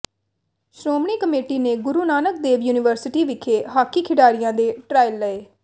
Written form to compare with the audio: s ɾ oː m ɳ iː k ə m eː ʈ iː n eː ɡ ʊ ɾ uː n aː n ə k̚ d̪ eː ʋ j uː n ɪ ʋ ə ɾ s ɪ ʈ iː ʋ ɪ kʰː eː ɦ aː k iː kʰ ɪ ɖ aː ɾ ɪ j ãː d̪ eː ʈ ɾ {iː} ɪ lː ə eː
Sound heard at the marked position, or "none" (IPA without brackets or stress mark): aː